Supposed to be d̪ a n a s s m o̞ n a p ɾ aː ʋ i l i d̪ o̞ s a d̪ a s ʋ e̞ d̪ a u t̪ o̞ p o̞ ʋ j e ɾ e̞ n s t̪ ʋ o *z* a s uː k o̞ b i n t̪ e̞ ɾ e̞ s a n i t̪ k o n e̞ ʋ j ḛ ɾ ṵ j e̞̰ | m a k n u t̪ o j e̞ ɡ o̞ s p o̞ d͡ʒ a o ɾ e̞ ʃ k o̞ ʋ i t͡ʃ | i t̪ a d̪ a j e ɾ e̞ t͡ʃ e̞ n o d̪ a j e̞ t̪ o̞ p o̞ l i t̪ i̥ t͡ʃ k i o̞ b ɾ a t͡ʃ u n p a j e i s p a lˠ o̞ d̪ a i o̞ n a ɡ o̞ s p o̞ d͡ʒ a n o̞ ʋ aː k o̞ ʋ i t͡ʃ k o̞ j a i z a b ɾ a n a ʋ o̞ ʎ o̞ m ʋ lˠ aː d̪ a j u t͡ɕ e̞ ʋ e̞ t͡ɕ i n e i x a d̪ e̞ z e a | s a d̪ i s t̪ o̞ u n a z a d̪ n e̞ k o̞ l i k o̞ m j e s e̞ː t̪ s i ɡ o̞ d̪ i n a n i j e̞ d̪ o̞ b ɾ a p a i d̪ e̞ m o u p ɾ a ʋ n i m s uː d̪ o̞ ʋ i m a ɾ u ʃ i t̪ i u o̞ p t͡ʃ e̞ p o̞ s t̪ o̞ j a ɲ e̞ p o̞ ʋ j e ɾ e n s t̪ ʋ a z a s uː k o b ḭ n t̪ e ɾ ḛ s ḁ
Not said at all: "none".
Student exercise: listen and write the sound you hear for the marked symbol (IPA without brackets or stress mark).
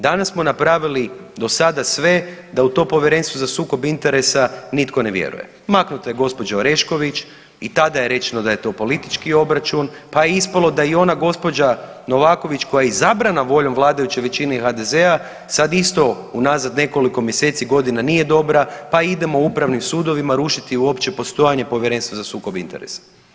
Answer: z